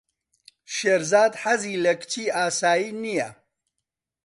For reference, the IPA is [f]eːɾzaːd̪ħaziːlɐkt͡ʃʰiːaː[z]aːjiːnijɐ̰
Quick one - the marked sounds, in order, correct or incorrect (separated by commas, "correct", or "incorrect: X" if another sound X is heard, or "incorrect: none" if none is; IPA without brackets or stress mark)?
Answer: incorrect: ʃ, incorrect: s